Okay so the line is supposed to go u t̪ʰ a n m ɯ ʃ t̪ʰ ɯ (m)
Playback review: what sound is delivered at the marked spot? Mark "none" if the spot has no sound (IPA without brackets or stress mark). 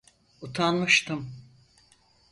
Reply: m